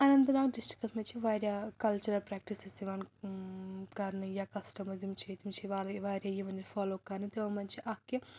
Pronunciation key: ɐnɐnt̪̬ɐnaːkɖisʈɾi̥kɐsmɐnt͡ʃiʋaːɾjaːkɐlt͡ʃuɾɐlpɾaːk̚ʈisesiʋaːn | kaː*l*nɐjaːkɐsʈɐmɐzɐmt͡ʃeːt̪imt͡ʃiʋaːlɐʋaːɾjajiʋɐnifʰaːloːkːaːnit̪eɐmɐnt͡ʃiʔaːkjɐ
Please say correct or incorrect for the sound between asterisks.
incorrect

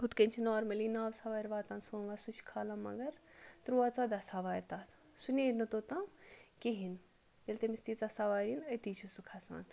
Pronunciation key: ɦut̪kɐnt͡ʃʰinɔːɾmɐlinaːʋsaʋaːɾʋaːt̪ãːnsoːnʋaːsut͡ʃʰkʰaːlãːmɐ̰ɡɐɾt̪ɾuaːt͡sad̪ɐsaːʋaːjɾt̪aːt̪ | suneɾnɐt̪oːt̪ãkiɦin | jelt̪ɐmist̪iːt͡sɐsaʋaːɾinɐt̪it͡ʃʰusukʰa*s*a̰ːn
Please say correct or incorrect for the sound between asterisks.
correct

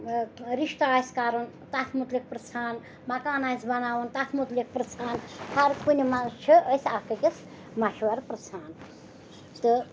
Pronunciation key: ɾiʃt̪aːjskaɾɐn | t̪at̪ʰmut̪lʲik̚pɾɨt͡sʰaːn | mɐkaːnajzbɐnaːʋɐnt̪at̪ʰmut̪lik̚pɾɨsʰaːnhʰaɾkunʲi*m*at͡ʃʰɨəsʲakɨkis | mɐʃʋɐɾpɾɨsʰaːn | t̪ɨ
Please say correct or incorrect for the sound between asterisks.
correct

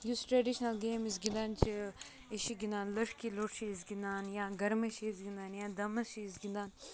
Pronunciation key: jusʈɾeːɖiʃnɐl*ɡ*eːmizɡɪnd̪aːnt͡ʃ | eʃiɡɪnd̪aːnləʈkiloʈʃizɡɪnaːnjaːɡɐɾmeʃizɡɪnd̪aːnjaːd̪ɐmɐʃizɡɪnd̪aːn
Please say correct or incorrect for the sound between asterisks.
correct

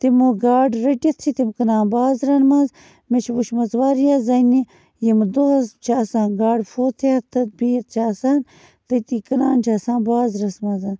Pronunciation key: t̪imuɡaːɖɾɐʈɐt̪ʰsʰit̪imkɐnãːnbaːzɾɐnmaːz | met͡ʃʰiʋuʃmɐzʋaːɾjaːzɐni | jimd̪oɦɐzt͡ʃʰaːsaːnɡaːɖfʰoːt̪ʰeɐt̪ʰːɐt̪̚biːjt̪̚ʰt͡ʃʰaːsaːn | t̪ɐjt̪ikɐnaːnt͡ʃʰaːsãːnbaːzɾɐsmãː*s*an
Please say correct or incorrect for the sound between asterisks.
incorrect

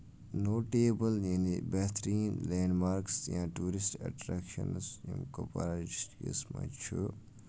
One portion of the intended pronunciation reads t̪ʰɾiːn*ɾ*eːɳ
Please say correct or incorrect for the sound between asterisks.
incorrect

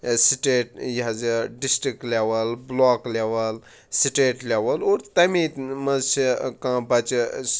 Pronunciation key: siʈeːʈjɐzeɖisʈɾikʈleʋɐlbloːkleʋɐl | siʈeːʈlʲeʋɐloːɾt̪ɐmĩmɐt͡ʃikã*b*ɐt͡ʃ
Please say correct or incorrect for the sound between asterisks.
correct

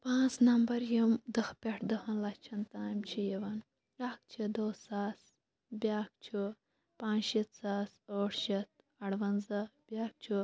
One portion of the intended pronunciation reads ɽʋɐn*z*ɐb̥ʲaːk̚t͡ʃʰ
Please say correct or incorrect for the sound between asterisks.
correct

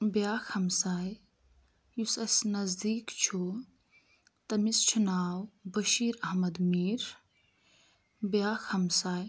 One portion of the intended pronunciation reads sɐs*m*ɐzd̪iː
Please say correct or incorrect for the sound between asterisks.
incorrect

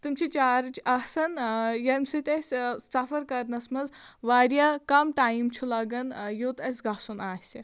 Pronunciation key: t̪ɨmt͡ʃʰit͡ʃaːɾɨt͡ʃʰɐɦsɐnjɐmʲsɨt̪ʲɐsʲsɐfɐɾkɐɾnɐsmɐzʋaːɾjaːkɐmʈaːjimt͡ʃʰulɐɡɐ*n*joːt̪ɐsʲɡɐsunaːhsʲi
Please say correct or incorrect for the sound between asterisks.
correct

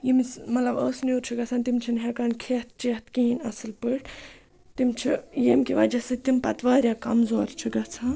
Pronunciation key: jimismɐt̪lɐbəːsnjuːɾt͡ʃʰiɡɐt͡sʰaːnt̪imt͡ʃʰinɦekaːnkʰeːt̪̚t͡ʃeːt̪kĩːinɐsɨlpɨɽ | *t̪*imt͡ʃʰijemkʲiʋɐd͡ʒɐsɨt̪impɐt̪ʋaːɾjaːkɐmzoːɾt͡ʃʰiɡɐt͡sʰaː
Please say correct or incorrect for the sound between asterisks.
correct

